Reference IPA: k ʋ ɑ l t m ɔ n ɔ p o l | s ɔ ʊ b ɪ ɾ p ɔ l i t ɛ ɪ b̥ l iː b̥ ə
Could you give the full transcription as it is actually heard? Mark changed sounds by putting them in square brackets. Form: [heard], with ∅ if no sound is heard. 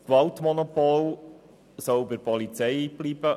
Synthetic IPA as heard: k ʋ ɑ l t m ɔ n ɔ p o l | s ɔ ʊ b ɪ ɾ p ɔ l i [t͡s] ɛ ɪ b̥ l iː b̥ ə